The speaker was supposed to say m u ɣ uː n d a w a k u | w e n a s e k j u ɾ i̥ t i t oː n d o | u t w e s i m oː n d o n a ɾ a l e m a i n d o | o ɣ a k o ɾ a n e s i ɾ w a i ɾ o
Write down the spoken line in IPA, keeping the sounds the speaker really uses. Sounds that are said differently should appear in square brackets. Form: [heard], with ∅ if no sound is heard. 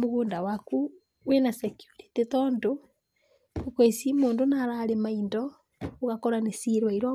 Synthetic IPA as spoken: m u ɣ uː n d a w a k u | w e n a s e k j u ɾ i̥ t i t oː n d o | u [k] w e s i m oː n d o n a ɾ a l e m a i n d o | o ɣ a k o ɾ a n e s i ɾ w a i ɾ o